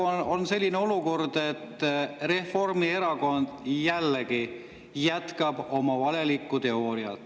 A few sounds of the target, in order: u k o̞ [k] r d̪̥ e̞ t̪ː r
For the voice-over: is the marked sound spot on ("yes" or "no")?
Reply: no